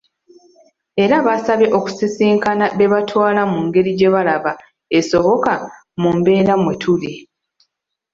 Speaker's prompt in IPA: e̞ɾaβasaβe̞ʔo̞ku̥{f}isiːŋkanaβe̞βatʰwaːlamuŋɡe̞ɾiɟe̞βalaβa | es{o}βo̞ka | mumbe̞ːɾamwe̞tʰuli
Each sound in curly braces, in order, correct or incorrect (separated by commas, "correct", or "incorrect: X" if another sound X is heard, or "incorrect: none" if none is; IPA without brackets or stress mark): incorrect: s, correct